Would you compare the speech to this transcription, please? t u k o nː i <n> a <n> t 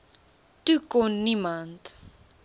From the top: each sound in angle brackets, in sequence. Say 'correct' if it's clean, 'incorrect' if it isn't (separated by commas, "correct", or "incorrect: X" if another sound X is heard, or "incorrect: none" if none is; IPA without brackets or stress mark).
incorrect: m, correct